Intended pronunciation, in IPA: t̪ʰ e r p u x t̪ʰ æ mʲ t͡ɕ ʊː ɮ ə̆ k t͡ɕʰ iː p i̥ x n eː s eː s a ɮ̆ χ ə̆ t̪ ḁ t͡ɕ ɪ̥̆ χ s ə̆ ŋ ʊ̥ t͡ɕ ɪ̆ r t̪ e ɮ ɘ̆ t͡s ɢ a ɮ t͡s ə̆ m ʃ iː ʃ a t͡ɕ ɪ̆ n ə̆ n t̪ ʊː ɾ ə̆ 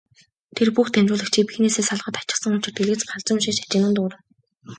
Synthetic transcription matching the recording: t̪ʰ e r p u x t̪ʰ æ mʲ t͡ɕ ʊː ɮ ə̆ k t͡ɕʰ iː p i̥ x n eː s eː s a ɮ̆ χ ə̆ t̪ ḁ t͡ɕ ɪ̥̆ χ s ə̆ ŋ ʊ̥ t͡ɕ ɪ̆ r t̪ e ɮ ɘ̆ t͡s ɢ a ɮ t͡s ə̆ m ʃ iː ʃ a t͡ɕ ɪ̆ n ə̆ n t̪ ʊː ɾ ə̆